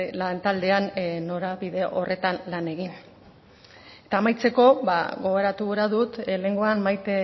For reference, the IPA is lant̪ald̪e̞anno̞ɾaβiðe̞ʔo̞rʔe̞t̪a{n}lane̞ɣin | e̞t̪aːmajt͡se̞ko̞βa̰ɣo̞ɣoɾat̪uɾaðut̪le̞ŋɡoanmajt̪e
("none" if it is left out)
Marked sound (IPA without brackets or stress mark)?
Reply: n